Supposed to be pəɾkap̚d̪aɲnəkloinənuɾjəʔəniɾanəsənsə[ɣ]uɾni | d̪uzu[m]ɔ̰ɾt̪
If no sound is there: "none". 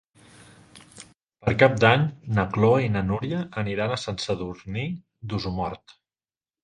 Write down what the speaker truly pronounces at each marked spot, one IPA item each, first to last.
ð, m

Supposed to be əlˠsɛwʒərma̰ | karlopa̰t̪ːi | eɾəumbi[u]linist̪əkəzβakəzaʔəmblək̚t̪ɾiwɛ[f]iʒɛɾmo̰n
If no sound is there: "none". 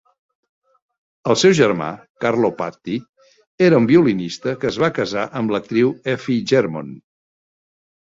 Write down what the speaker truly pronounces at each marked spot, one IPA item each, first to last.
u, f

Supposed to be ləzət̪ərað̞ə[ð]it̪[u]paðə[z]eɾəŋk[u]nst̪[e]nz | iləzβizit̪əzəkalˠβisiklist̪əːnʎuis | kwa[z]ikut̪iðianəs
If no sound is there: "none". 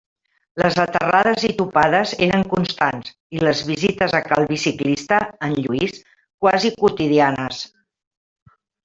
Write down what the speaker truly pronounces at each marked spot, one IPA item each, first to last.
z, u, z, u, a, z

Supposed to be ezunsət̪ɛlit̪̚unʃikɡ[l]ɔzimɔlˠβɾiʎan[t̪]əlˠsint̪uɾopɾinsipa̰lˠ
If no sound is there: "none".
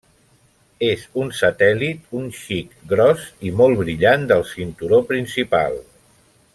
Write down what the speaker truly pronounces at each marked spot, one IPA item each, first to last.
ɾ, d̪

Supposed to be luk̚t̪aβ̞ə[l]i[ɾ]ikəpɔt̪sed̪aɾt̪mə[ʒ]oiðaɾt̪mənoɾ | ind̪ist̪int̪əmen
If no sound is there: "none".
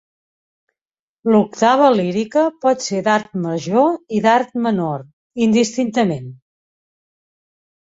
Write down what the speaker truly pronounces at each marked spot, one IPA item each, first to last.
l, ɾ, ʒ

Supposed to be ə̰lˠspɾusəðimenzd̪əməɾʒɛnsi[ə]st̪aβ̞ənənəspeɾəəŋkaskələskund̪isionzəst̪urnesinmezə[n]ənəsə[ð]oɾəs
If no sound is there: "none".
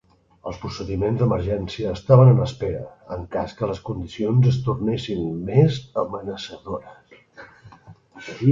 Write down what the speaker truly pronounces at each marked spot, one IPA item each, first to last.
əː, m, ð

